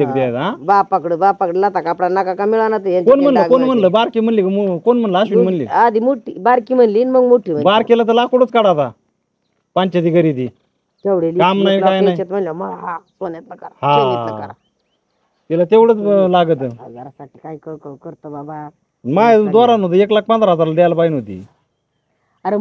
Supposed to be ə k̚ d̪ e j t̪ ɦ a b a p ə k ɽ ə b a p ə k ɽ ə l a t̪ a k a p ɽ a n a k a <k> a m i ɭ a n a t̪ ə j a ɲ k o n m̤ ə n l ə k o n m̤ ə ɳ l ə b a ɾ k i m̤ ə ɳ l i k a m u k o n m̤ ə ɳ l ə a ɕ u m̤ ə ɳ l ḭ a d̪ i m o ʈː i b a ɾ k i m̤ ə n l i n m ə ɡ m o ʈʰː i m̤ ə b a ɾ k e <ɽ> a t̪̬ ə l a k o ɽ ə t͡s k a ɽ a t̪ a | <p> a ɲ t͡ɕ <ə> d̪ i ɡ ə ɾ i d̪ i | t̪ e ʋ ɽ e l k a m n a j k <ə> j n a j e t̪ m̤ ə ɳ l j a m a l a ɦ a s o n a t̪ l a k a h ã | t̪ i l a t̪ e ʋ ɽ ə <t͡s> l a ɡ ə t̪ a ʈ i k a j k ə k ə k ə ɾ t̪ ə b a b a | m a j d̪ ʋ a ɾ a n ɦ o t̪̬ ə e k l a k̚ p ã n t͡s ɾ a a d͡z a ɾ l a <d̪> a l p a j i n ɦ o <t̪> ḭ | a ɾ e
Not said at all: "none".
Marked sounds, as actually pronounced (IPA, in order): k, l, p, a, a, t͡s, d̪, t̪

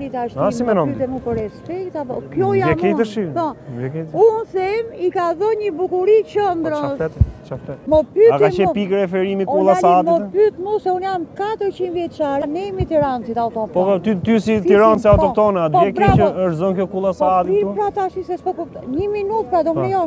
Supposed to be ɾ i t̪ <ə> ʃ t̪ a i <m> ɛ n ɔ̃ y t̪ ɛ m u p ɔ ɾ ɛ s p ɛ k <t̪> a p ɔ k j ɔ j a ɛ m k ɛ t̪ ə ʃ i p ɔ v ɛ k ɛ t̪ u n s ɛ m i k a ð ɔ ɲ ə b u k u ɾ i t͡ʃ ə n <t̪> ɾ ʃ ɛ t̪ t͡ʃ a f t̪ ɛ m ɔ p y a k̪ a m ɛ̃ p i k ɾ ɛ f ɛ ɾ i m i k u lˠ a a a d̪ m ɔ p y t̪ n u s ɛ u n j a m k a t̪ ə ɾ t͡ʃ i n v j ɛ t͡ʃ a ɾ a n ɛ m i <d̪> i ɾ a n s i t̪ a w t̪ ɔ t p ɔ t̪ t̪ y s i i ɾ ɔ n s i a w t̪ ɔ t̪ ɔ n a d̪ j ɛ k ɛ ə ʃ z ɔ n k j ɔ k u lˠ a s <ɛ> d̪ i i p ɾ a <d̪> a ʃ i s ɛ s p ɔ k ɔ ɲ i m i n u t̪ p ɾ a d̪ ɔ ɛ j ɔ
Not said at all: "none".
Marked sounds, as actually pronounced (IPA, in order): a, m, t̪, d̪, t̪, a, t̪

